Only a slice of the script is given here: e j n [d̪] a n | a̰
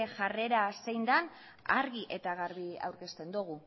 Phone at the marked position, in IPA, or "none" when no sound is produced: d̪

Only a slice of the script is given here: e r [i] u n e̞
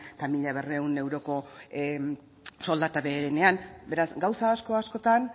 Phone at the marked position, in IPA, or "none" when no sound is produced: e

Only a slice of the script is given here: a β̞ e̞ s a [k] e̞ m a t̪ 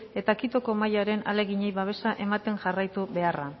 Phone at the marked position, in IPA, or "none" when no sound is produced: ʔ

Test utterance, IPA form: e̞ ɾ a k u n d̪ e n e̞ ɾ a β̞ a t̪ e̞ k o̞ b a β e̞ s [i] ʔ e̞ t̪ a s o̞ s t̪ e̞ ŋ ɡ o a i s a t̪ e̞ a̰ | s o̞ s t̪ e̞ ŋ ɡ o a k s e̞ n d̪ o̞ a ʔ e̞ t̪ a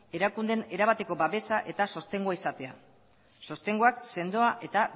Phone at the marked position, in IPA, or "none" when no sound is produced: a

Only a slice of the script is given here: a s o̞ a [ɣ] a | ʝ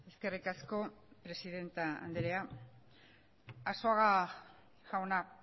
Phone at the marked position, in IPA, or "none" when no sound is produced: ɣ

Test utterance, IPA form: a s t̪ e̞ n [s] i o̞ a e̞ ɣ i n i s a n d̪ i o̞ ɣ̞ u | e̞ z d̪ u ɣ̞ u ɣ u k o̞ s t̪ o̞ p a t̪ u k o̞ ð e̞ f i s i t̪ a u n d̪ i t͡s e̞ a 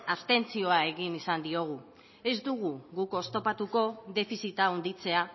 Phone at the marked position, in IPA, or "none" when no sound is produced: t͡s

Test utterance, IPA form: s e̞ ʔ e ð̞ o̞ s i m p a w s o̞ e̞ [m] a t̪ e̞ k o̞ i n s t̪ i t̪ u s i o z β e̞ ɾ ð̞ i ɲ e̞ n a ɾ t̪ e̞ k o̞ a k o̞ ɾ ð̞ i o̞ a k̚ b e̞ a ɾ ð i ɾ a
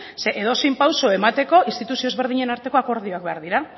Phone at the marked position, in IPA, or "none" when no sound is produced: m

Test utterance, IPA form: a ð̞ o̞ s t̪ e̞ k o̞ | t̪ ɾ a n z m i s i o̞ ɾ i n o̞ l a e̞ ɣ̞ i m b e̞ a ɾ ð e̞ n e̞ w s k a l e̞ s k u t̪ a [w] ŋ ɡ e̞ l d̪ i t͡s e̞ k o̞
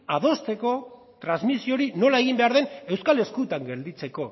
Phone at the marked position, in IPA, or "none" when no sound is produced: none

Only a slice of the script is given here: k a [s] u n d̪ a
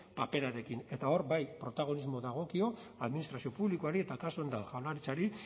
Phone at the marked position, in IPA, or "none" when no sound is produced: s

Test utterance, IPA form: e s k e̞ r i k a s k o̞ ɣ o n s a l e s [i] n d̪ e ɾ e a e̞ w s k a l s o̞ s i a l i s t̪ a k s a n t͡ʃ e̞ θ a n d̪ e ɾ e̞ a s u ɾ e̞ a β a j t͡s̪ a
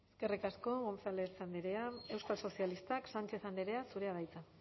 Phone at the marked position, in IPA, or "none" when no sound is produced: a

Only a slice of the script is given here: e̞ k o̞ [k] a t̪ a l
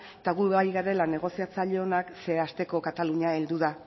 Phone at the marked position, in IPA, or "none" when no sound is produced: k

